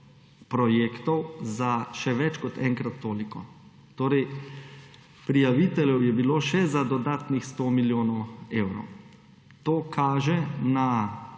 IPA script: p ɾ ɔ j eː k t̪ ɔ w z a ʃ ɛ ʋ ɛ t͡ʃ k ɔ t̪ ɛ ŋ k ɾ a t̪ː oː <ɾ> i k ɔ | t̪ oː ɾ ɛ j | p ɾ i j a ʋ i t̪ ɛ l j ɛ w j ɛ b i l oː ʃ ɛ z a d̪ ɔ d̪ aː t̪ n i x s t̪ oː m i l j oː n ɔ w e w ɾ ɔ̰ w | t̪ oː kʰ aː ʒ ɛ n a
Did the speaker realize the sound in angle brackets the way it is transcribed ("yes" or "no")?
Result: no